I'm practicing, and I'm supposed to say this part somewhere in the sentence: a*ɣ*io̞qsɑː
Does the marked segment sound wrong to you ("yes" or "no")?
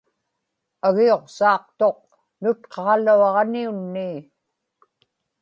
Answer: no